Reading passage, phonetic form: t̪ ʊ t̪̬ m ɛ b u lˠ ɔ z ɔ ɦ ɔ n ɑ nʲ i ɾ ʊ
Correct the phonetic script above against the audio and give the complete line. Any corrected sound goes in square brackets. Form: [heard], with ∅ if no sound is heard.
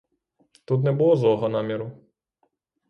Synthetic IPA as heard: t̪ [u] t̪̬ [n] ɛ b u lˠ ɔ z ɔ ɦ ɔ n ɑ [mʲ] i ɾ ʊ

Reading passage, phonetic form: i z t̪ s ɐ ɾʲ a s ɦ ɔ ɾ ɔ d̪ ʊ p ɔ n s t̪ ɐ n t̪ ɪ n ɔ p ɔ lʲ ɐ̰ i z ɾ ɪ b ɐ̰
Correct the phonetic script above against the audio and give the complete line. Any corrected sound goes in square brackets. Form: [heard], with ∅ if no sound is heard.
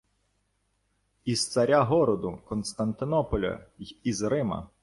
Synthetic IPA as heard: i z t̪ s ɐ ɾʲ a [∅] ɦ ɔ ɾ ɔ d̪ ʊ [k] ɔ n s t̪ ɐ n t̪ ɪ n ɔ p ɔ lʲ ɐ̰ i z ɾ ɪ [m] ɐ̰

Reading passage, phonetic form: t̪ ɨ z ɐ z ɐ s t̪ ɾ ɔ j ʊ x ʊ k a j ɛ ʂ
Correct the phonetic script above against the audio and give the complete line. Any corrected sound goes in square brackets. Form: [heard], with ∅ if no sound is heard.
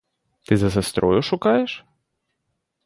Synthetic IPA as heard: t̪ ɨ z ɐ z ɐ s t̪ ɾ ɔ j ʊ [ʂ] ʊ k a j ɛ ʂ

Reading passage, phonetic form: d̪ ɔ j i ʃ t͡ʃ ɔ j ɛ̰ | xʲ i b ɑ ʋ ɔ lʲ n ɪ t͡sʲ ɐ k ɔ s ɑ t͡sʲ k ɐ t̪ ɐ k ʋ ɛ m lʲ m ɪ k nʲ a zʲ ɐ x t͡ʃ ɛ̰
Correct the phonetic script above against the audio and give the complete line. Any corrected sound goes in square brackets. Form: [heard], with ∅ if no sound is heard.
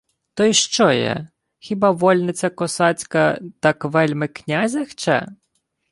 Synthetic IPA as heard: [t̪] ɔ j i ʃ t͡ʃ ɔ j ɛ̰ | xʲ i b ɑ ʋ ɔ lʲ n ɪ t͡sʲ ɐ k ɔ s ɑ t͡sʲ k ɐ t̪ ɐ k ʋ ɛ [∅] lʲ m ɪ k nʲ a zʲ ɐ x t͡ʃ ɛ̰

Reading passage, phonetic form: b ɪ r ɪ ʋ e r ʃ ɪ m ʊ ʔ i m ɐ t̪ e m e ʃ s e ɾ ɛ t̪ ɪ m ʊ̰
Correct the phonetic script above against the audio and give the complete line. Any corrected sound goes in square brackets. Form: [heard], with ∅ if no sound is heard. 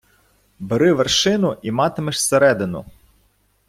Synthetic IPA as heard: b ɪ [ɾ] ɪ ʋ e r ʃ ɪ [n] ʊ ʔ i m [ɑ] t̪ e m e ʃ s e ɾ ɛ [d̪] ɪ [n] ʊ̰

